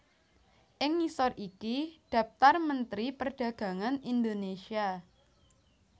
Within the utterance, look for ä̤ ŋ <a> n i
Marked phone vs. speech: correct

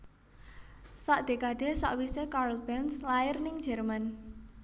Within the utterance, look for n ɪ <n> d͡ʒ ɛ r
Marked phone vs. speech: incorrect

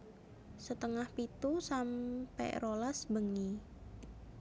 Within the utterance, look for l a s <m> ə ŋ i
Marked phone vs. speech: incorrect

